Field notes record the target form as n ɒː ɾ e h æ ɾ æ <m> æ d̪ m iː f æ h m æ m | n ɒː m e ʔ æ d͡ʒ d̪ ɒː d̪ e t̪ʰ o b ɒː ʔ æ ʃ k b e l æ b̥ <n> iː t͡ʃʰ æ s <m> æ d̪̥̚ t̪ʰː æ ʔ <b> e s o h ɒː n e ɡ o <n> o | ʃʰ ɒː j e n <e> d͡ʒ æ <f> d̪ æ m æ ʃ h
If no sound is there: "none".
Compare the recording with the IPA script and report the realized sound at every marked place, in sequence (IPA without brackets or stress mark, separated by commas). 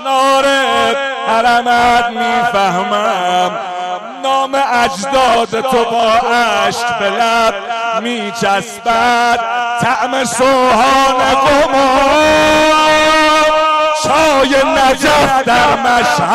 m, m, b, m, m, æ, f